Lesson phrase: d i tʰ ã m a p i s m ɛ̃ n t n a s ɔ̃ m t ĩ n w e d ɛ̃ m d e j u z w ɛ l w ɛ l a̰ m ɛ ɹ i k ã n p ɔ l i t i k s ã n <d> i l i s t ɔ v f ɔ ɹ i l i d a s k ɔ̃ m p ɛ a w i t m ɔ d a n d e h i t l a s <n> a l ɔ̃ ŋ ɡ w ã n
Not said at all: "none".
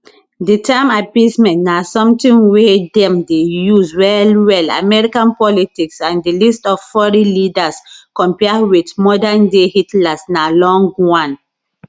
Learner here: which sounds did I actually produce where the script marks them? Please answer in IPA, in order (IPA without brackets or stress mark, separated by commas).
d, n